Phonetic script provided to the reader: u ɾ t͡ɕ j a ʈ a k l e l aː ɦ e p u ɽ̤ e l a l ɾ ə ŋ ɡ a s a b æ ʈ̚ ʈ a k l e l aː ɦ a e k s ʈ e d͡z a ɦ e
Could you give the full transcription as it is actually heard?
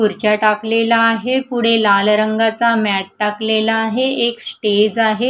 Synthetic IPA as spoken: u ɾ t͡ɕ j a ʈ a k l e l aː ɦ e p u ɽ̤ e l a l ɾ ə ŋ ɡ a t͡s a m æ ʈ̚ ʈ a k l e l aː ɦ e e k s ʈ e d͡z a ɦ e